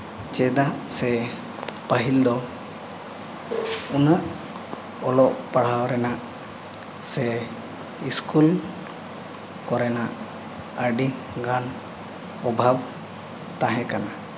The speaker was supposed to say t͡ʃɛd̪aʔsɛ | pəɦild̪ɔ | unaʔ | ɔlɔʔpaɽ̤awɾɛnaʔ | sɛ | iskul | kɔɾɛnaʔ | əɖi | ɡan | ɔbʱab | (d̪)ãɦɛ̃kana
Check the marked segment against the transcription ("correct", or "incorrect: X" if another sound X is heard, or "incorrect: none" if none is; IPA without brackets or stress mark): incorrect: t̪